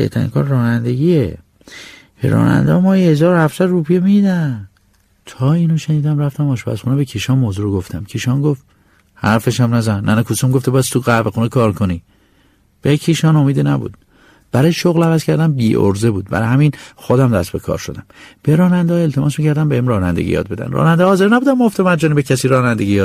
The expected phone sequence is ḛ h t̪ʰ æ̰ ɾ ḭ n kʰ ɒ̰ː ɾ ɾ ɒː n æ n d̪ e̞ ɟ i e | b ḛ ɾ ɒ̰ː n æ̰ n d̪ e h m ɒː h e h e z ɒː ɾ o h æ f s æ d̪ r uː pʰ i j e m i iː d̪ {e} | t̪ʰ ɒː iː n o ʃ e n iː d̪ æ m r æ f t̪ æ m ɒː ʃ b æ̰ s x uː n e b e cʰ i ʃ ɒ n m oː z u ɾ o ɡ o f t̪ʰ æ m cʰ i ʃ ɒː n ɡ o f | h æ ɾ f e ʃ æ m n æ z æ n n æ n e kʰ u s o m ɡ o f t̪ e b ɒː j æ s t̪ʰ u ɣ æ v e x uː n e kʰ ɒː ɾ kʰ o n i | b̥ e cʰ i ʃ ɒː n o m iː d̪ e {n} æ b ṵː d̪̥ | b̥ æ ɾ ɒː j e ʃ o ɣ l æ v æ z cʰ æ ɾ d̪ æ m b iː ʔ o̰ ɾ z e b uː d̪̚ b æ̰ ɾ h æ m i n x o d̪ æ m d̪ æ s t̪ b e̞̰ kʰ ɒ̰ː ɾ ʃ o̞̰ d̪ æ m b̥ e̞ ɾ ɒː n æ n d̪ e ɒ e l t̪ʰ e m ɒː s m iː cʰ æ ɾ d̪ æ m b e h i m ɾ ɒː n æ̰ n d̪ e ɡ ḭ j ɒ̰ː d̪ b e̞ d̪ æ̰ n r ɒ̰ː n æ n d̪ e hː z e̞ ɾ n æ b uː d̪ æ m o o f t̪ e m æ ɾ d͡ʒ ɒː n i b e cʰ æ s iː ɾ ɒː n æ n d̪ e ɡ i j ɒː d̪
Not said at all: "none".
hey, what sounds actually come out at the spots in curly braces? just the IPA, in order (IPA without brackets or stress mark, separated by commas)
æ, n